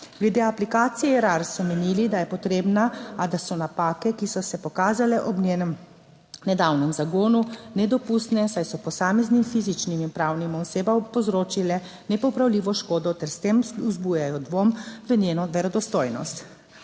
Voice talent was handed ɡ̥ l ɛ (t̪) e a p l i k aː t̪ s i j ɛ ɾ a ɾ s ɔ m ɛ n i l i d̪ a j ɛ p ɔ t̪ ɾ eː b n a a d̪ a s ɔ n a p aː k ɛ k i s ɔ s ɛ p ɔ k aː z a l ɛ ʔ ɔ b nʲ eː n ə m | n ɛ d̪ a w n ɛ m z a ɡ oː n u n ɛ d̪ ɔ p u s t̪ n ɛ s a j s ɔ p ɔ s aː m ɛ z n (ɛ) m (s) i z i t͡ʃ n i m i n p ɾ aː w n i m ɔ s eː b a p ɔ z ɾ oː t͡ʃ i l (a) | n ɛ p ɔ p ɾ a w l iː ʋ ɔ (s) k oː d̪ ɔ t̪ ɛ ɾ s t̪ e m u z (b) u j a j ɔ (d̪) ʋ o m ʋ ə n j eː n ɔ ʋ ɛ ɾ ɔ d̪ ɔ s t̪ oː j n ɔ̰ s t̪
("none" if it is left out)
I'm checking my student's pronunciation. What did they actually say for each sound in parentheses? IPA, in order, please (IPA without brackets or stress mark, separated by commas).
d̪, i, f, ɛ, ʃ, b, d̪